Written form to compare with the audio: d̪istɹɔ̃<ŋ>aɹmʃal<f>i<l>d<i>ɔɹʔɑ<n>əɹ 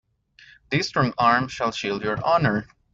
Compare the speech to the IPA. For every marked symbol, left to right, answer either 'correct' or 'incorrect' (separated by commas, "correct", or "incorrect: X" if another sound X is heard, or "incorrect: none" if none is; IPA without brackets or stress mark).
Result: correct, incorrect: ʃ, correct, incorrect: j, correct